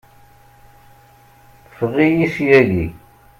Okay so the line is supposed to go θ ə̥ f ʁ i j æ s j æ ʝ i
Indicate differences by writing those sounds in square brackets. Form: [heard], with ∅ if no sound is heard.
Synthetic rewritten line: θ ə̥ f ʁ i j [i] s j æ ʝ i